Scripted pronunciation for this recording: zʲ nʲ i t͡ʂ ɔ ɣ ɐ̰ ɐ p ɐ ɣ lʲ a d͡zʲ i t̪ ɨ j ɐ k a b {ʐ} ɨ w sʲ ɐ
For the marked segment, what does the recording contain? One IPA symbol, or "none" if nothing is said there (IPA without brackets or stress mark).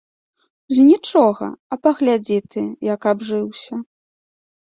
ʐ